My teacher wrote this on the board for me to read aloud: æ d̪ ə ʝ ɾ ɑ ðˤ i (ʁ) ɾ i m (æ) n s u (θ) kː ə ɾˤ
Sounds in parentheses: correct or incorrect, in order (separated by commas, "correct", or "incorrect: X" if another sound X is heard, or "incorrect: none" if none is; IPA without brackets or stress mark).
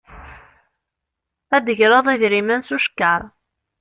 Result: incorrect: ð, correct, incorrect: ʃ